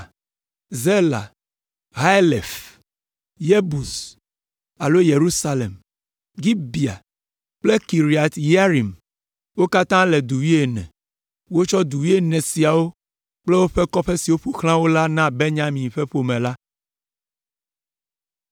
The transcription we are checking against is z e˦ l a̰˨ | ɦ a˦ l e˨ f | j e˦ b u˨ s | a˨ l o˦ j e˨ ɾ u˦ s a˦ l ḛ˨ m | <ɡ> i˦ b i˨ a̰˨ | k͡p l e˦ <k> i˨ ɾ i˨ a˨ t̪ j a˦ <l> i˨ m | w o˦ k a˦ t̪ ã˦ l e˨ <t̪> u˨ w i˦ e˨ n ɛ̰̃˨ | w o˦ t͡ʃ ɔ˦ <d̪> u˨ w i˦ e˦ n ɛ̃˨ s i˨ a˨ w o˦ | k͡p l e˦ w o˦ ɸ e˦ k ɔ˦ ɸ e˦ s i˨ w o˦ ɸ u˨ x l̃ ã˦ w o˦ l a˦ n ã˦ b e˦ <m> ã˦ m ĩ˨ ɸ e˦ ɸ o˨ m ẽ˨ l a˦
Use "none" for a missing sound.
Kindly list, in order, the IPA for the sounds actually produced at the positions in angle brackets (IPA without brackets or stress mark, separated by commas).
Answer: ɡ, k, ɾ, d̪, d̪, ɲ